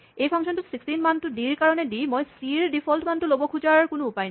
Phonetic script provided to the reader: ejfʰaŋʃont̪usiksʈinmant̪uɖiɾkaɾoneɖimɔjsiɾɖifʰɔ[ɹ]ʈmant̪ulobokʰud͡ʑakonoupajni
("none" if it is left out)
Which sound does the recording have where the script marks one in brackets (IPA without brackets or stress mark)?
l